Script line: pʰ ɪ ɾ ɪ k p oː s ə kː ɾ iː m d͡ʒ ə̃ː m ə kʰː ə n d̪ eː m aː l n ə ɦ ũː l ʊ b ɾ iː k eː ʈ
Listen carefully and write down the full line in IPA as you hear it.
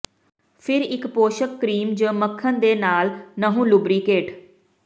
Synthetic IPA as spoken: pʰ ɪ ɾ ɪ k p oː ʃ ə kː ɾ iː m d͡ʒ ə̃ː m ə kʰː ə n d̪ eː n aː l n ə ɦ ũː l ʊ b ɾ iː k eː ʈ